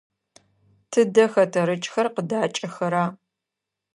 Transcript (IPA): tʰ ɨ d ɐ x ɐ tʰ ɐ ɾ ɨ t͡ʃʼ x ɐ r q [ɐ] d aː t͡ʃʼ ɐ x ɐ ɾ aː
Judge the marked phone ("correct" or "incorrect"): incorrect